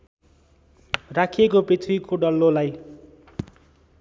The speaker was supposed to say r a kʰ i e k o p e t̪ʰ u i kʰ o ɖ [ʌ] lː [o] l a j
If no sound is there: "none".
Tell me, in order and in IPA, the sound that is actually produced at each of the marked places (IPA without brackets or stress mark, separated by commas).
ʌ, o